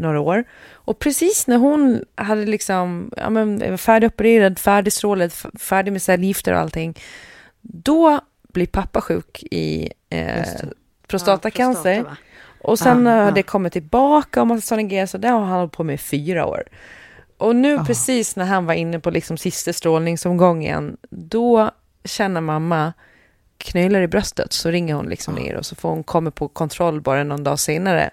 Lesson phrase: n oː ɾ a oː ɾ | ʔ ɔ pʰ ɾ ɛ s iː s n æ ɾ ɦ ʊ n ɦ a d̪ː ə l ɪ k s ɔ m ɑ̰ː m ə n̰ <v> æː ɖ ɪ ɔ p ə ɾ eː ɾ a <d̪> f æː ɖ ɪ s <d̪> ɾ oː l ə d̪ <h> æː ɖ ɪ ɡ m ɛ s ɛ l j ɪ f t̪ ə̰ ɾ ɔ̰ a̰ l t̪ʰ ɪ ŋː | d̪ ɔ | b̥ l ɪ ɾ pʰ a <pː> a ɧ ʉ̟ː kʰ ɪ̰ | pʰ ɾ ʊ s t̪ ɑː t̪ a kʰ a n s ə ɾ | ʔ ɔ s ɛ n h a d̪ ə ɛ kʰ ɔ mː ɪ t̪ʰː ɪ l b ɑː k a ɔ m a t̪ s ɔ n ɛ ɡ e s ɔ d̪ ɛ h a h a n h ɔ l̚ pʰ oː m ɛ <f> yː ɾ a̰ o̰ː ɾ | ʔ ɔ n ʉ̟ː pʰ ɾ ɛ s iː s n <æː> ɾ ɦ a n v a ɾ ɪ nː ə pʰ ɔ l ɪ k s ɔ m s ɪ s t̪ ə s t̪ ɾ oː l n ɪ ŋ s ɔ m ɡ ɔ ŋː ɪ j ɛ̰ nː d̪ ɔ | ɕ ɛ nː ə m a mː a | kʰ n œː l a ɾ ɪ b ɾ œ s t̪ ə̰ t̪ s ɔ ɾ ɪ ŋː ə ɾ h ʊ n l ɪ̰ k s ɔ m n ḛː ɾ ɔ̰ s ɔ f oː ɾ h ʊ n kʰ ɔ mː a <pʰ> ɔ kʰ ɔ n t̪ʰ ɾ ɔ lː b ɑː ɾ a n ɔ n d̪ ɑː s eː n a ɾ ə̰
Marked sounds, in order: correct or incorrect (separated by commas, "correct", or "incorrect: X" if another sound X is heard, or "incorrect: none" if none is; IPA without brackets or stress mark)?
incorrect: f, correct, incorrect: t̪, incorrect: f, correct, correct, incorrect: æ, correct